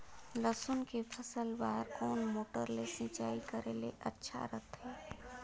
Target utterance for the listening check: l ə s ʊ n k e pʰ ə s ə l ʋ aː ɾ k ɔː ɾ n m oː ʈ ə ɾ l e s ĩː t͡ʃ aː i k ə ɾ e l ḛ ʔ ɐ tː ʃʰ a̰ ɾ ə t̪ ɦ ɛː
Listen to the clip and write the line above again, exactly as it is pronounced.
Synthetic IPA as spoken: l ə s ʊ n k e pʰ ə s ə l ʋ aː ɾ k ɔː n m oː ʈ ə ɾ l e s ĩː t͡ʃ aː i k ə ɾ e l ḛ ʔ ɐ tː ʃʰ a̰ ɾ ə t̪ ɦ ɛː